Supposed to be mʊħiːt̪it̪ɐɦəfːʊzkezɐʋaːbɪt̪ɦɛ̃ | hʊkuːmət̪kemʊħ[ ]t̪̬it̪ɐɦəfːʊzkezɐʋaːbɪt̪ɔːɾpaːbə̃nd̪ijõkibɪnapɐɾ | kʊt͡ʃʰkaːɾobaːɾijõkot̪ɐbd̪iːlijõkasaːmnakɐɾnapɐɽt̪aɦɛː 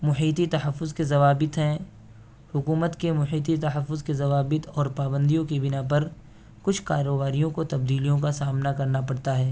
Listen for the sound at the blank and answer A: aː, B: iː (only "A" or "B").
B